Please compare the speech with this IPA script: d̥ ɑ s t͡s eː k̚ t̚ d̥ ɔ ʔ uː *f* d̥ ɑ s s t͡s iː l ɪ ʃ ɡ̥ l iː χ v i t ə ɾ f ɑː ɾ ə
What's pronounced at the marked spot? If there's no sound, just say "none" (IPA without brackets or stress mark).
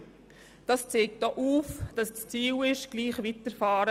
f